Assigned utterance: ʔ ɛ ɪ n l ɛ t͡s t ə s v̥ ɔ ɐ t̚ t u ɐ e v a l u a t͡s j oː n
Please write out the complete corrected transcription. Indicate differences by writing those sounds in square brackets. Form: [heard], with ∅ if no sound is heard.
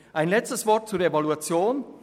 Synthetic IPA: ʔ [a] ɪ n l ɛ t͡s t ə s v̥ ɔ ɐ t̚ [t͡s] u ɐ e v a l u a t͡s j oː n